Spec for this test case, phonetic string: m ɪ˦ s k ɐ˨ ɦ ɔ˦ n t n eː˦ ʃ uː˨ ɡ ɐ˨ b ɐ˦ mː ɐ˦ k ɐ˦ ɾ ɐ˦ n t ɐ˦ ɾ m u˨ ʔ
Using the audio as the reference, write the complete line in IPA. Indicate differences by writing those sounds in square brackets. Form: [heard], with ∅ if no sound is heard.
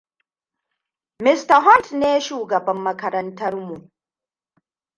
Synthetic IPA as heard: m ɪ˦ s [t] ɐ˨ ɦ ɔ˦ n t n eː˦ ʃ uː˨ ɡ ɐ˨ b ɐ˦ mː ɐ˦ k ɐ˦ ɾ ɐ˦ n t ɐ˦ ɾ m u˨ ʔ